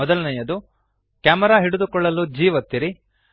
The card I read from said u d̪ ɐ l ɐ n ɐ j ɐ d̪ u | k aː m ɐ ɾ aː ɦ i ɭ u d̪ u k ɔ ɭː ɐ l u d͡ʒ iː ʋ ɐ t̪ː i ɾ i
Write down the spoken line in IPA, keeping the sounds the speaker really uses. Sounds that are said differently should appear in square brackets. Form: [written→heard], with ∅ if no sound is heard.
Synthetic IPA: [u→ɔ] d̪ ɐ l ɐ n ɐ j ɐ d̪ u | k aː m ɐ ɾ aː ɦ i [ɭ→ɽ] u d̪ u k ɔ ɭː ɐ l u d͡ʒ iː ʋ ɐ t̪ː i ɾ i